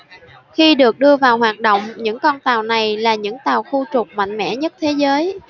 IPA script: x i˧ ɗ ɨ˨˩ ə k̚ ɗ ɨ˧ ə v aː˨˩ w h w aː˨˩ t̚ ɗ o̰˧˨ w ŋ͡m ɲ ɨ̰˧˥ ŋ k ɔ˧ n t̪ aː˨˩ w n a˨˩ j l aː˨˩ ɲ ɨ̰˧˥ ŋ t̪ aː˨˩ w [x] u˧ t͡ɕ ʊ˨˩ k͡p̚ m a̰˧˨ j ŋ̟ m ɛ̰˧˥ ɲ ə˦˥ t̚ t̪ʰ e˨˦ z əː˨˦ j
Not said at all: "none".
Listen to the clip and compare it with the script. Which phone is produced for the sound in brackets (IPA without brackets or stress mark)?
x